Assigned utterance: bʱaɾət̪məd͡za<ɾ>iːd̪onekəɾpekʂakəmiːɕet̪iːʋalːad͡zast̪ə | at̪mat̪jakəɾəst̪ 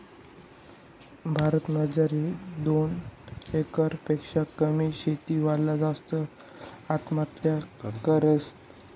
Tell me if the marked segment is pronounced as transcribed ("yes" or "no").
yes